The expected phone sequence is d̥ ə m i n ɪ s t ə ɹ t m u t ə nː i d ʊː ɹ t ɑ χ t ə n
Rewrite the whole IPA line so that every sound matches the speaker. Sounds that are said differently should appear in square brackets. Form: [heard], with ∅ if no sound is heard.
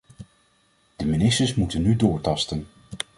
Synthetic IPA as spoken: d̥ ə m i n ɪ s t ə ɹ [s] m u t ə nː [y] d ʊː ɹ t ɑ [s] t ə n